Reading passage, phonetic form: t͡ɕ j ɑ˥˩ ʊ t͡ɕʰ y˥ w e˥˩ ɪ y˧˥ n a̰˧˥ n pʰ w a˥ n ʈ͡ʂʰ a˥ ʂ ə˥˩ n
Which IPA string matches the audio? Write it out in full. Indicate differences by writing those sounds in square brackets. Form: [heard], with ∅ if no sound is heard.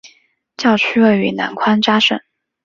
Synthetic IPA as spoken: t͡ɕ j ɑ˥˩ ʊ t͡ɕʰ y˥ w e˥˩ ɪ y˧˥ n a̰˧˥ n [kʰ] w a˥ n [ʈ͡ʂ] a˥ ʂ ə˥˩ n